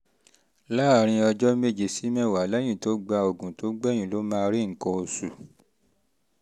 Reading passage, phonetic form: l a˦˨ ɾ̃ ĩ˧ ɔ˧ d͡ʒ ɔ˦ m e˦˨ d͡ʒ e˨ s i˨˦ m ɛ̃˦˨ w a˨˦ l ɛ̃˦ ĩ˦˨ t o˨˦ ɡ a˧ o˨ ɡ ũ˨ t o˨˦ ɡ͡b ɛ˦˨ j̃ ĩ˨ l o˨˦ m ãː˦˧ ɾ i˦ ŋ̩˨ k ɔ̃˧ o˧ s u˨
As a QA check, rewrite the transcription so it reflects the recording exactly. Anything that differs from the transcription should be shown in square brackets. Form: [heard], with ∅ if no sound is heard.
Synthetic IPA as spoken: l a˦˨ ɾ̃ ĩ˧ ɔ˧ d͡ʒ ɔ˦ m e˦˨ d͡ʒ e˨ s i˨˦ m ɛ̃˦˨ w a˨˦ l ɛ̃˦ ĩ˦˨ t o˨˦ [ɡ͡b] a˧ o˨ ɡ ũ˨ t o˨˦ ɡ͡b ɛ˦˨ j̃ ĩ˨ l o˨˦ m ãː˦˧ ɾ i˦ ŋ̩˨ k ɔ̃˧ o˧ s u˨